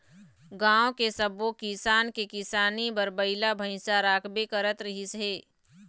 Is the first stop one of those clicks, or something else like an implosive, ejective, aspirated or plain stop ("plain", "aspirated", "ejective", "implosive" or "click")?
plain